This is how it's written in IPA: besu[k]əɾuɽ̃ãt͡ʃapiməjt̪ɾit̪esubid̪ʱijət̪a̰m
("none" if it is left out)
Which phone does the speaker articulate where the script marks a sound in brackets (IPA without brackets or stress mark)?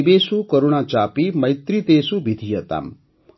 k